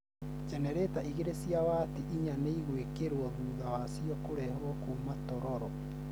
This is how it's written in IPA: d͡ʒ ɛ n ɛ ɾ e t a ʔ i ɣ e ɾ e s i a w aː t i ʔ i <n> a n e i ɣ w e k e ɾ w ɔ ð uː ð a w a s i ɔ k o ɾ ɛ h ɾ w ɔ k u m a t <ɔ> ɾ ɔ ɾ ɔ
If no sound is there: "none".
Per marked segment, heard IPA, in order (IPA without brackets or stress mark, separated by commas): ɲ, ɔ